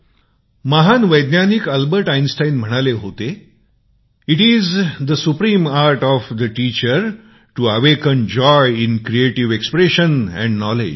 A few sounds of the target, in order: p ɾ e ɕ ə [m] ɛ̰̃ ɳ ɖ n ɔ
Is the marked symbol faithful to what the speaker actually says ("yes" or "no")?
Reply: no